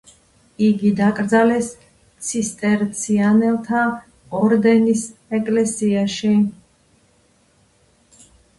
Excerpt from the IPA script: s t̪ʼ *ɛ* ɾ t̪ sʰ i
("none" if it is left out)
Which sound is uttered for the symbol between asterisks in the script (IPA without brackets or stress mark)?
ɛ